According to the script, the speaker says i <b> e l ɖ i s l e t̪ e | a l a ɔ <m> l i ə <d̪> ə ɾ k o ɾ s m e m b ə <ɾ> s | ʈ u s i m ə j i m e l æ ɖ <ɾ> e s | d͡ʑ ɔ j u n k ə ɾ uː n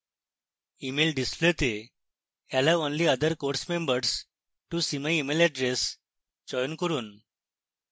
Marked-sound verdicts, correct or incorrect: incorrect: m, incorrect: n, correct, correct, correct

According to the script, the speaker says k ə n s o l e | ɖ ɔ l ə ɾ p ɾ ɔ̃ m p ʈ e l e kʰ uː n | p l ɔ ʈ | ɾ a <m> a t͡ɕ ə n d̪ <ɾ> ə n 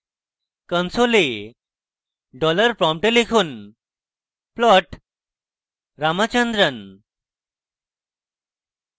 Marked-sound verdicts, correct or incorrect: correct, correct

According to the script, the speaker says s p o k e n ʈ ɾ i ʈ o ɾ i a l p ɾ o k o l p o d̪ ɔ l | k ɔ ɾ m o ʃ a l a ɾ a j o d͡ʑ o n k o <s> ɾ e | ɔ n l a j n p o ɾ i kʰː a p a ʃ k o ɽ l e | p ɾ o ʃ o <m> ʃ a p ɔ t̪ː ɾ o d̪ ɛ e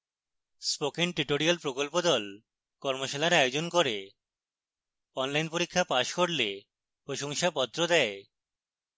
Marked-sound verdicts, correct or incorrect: incorrect: none, incorrect: ŋ

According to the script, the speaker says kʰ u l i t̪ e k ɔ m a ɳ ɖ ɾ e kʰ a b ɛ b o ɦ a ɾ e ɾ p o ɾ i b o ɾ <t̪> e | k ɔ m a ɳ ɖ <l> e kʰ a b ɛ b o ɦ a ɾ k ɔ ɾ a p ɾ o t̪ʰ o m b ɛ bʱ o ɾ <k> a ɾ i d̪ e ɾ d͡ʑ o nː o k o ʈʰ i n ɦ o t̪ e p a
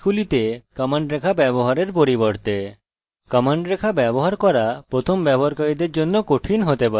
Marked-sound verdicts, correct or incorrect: correct, incorrect: ɾ, correct

